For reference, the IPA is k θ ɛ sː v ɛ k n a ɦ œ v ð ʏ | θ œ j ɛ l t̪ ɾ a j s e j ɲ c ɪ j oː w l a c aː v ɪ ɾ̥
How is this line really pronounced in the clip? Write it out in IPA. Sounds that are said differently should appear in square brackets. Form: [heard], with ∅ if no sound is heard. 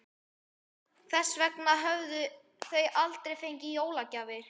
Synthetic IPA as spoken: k θ ɛ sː v ɛ k n a ɦ œ v ð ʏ | θ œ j [a] l t̪ ɾ [e] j [f] e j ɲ c ɪ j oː w l a c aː v ɪ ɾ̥